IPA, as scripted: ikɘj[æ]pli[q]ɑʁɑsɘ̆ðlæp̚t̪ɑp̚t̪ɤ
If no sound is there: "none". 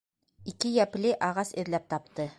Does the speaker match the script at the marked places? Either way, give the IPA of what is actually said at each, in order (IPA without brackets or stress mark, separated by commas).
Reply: æ, ʔ